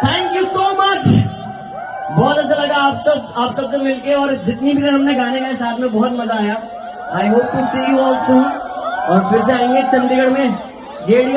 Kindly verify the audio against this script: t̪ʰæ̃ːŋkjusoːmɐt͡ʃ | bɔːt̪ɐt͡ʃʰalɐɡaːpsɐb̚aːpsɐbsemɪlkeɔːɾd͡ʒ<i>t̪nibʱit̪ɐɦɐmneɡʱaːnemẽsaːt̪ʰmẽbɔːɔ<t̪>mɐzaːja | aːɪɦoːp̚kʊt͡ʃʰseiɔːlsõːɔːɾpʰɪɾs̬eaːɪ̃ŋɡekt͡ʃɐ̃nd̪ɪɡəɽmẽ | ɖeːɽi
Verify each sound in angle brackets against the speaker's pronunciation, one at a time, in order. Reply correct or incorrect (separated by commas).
incorrect, correct